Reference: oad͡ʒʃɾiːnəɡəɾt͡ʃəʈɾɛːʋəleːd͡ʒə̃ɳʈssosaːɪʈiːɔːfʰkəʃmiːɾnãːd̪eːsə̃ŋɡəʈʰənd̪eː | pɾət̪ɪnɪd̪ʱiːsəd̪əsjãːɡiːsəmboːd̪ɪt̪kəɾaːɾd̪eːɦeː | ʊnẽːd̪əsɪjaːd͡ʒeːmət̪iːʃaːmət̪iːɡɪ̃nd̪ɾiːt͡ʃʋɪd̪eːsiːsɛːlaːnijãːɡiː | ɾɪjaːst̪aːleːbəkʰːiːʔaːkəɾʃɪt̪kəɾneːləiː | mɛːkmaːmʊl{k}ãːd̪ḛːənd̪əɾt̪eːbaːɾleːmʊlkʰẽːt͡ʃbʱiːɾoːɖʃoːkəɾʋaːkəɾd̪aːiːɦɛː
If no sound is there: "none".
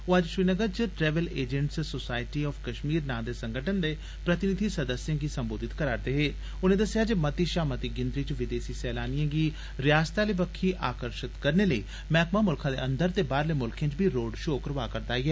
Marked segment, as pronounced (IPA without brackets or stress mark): kʰ